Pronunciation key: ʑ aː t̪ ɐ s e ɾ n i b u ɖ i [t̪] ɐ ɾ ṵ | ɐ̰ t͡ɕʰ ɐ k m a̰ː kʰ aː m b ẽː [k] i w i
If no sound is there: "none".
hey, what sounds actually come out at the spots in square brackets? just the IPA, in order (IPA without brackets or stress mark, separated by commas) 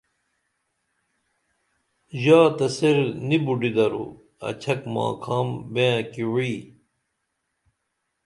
d̪, k